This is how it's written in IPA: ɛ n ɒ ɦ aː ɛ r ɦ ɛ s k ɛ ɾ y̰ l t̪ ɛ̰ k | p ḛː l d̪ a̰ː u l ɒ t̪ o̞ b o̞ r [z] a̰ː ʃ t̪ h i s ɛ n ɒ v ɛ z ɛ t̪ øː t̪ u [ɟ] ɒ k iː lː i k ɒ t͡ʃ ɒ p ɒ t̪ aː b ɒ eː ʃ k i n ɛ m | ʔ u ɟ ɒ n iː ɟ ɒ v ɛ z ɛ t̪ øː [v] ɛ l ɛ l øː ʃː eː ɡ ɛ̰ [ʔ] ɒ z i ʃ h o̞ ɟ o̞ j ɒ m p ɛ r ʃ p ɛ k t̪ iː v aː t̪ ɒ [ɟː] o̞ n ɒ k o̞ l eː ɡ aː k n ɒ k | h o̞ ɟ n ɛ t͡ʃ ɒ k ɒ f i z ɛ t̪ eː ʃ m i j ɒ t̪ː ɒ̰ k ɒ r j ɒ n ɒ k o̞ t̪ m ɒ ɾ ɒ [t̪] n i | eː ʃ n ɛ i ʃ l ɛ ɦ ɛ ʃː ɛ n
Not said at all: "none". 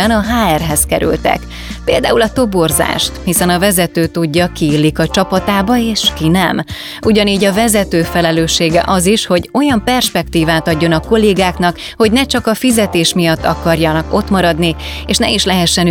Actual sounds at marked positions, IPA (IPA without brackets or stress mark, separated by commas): z, ɟː, f, ʔ, ɟː, d̪